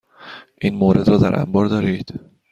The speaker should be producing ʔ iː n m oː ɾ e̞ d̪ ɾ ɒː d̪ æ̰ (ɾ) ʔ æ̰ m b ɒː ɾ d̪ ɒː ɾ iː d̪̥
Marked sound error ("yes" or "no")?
no